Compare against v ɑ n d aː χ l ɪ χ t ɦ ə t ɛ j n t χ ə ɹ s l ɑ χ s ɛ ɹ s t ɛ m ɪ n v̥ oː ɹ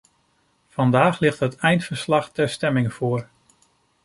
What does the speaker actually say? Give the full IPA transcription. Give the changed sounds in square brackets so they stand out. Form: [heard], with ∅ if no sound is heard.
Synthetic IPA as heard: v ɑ n d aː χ l ɪ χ t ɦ ə t ɛ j n t [f] ə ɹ s l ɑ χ [t] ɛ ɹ s t ɛ m ɪ [ŋ] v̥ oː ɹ